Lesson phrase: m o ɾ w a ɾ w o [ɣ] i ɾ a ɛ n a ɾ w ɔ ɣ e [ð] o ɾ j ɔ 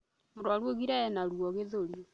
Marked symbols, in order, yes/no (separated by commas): yes, yes